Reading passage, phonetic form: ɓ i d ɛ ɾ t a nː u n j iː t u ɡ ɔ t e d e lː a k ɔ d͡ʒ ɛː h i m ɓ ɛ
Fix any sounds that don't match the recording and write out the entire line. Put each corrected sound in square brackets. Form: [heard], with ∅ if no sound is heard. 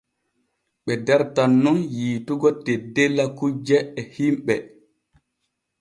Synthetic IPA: ɓ [ɛ] d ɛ ɾ t a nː u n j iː t u ɡ ɔ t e d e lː a k [u] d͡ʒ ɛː h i m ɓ ɛ